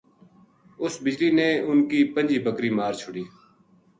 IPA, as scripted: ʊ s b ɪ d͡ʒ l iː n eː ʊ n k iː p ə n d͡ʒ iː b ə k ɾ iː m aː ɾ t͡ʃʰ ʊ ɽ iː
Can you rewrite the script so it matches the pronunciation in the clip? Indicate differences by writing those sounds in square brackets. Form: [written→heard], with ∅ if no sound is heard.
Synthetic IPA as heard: ʊ s b ɪ d͡ʒ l iː n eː ʊ n k iː p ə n d͡ʒ iː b ə k ɾ iː m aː ɾ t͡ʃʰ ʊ ɽ iː